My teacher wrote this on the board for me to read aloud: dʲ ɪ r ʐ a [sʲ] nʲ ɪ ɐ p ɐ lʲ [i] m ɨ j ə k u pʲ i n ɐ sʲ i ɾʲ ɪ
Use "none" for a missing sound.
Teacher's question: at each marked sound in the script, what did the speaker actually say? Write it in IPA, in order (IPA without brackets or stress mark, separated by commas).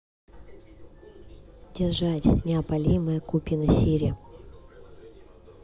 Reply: tʲ, i